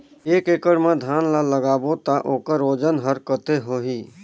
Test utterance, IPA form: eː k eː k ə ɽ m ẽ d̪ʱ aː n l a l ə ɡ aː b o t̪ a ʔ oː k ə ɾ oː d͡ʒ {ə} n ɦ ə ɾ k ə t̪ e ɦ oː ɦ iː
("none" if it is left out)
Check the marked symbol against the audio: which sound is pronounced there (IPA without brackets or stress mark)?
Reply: ə